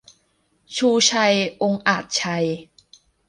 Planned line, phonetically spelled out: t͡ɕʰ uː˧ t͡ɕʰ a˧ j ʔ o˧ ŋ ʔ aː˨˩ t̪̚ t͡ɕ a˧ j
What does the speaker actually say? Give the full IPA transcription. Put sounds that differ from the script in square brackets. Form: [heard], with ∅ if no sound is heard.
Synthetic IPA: t͡ɕʰ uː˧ t͡ɕʰ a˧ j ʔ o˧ ŋ ʔ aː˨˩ t̪̚ [t͡ɕʰ] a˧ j